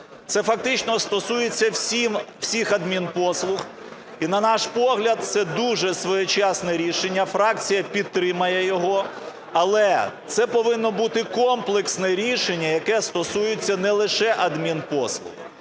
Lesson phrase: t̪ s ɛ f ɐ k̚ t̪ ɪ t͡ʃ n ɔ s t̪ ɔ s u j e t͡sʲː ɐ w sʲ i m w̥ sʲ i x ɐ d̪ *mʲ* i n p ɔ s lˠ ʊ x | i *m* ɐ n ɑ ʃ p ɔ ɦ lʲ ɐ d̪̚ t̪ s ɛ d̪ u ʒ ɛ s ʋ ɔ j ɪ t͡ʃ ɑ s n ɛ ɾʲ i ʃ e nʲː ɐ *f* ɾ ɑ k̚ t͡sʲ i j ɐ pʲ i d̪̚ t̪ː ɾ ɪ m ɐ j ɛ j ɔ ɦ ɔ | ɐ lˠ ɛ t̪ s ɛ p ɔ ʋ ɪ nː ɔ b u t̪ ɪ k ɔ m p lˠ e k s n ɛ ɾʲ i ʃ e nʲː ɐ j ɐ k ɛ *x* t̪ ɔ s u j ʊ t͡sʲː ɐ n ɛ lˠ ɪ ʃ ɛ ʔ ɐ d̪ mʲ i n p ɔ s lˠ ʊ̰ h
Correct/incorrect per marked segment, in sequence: correct, incorrect: n, correct, incorrect: s

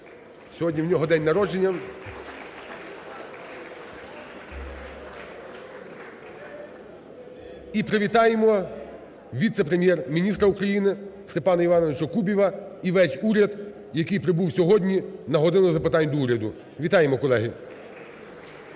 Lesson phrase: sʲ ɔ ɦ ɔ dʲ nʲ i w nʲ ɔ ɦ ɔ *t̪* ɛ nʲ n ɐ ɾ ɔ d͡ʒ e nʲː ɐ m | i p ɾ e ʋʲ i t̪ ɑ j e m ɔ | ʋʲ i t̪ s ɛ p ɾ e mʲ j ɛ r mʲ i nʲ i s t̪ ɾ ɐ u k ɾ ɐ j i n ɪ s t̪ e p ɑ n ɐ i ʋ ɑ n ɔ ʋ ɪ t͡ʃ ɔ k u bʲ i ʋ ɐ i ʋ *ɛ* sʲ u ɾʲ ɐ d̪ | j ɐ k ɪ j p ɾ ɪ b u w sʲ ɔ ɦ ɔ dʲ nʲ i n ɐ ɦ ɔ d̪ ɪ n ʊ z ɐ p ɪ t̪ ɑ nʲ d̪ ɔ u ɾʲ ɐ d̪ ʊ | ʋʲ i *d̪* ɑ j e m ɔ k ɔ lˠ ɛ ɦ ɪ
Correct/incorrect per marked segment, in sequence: incorrect: d̪, correct, incorrect: t̪

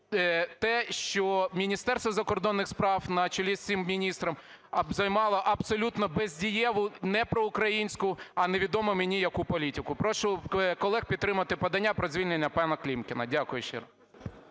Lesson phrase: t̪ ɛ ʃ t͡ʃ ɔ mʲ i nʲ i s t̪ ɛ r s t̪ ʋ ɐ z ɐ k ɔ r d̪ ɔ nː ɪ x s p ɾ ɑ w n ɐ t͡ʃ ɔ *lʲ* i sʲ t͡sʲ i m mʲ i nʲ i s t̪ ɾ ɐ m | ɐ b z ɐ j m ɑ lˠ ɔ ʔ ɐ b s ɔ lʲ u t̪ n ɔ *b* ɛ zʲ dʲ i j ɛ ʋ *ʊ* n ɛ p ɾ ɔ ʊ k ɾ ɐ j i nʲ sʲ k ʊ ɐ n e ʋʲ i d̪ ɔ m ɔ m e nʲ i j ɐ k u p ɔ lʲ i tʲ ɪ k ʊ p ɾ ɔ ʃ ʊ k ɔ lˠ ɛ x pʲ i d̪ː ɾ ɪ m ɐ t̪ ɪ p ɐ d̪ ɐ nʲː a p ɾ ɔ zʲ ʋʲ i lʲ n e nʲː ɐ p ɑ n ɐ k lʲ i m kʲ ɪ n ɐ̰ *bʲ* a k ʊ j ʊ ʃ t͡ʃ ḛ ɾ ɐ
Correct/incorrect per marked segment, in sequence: correct, correct, correct, incorrect: dʲ

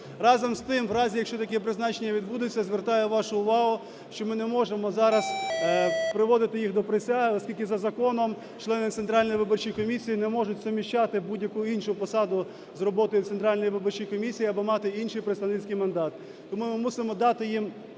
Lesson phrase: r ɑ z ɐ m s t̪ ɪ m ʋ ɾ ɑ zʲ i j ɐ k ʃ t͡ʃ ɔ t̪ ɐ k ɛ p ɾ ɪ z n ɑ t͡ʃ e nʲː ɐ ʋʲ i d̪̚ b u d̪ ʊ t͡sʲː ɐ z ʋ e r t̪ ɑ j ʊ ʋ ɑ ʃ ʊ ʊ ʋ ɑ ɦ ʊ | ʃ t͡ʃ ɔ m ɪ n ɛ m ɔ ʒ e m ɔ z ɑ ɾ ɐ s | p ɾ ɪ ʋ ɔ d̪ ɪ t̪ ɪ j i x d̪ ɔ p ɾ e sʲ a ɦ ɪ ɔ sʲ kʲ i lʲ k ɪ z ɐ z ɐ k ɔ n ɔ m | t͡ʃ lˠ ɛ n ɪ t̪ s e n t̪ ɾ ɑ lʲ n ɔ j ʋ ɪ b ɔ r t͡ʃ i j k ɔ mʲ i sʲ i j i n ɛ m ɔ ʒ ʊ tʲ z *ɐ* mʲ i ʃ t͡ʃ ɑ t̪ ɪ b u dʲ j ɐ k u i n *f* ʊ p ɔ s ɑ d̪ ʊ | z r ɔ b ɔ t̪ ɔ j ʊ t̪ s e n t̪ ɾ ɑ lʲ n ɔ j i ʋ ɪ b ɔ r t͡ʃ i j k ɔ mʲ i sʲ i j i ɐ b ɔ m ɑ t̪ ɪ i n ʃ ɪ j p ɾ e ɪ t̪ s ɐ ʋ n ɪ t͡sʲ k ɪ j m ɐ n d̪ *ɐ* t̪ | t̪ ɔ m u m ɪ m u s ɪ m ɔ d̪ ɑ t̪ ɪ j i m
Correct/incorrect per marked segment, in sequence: correct, incorrect: ʃ, incorrect: ɑ

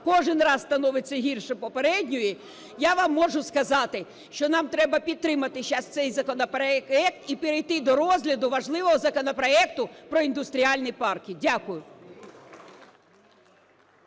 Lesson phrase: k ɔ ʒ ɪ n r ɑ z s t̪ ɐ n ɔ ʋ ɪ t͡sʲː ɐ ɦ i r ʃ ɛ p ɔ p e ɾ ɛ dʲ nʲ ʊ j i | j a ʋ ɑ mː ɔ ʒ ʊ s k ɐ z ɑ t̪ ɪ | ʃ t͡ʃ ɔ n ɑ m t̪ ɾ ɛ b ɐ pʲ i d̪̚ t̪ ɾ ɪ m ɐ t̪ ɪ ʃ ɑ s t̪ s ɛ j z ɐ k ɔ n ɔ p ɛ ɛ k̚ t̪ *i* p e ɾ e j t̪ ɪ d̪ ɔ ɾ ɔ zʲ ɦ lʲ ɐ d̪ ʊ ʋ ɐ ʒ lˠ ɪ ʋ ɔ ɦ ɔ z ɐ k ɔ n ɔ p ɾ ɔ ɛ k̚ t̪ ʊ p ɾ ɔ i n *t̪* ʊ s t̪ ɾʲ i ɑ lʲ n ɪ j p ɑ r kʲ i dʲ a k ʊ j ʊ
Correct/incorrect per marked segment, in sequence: correct, incorrect: d̪

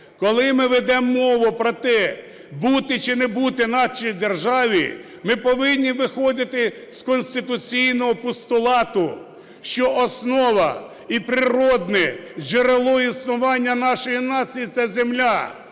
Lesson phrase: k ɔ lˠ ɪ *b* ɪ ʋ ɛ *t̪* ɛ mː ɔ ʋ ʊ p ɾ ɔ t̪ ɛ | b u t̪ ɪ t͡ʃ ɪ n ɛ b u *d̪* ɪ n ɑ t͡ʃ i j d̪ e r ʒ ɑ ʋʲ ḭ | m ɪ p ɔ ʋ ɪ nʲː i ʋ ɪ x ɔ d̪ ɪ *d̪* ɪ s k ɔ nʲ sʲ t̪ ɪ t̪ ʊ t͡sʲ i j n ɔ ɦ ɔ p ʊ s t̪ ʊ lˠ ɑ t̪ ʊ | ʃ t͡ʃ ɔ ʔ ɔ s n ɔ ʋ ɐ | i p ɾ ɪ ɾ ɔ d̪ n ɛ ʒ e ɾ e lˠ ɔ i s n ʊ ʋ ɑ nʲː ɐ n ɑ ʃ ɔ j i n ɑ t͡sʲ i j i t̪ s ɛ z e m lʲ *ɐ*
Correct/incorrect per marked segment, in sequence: incorrect: m, incorrect: d̪, incorrect: t̪, incorrect: t̪, incorrect: a

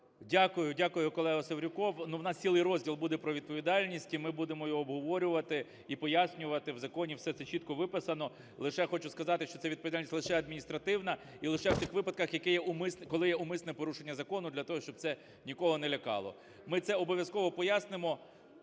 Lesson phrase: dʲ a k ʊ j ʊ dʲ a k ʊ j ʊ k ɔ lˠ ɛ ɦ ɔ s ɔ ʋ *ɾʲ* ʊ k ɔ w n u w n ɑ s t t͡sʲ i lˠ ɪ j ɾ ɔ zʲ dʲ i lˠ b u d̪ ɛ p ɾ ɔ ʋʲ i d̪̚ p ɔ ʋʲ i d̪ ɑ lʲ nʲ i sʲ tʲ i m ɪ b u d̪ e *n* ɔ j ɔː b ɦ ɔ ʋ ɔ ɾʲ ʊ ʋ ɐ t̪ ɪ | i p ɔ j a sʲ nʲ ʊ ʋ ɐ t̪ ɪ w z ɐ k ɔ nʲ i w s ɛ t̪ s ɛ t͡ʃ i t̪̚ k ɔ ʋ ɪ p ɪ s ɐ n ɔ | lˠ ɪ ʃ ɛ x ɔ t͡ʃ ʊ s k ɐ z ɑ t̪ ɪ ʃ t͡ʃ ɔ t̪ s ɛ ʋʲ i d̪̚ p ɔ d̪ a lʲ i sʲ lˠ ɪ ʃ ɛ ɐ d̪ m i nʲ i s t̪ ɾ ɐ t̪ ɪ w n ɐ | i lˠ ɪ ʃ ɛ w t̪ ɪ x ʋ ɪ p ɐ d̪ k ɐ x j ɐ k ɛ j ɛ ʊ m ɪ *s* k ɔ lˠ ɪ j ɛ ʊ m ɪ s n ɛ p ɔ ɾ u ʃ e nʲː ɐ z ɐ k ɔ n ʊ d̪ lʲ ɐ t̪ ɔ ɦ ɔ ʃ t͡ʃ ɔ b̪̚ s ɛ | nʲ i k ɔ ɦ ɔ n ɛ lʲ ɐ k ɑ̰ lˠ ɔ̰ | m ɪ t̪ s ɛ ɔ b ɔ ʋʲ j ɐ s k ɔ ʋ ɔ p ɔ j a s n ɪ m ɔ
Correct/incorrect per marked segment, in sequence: correct, incorrect: m, correct

